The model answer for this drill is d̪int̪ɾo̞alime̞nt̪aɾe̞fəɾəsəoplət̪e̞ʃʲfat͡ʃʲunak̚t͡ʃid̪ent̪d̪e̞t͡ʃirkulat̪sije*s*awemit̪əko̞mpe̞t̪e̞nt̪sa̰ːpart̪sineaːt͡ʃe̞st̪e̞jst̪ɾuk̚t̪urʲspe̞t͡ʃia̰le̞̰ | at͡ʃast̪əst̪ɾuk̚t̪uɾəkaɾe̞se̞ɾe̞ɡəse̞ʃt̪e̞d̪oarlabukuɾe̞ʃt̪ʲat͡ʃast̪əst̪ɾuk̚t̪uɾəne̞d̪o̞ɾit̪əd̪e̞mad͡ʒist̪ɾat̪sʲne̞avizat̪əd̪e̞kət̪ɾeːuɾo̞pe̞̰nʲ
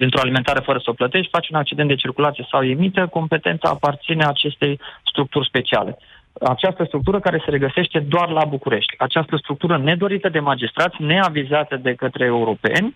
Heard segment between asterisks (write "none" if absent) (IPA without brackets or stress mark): s